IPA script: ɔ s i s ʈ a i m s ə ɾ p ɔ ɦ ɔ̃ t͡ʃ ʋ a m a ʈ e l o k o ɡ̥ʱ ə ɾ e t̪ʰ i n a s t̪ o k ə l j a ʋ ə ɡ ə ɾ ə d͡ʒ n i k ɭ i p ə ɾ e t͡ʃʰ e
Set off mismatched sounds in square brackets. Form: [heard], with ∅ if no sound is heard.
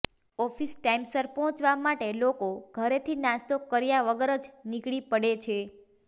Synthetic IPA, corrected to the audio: ɔ [f] i s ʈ a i m s ə ɾ p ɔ ɦ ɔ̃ t͡ʃ ʋ a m a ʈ e l o k o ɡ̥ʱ ə ɾ e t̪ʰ i n a s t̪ o k ə [ɾ] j a ʋ ə ɡ ə ɾ ə d͡ʒ n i k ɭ i p ə [ɽ] e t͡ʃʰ e